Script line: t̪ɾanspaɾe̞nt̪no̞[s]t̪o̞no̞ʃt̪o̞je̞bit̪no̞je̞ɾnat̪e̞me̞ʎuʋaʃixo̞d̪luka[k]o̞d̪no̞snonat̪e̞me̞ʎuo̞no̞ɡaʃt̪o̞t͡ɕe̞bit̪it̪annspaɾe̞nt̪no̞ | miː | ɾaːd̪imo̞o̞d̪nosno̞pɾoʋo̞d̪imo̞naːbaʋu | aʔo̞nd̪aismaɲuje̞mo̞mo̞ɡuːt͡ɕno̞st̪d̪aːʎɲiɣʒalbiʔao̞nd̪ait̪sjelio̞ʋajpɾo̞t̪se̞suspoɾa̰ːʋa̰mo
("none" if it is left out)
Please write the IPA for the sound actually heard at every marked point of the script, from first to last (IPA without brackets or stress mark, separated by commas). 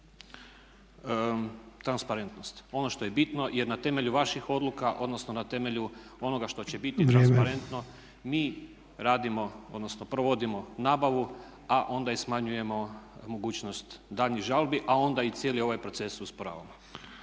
s, ʔ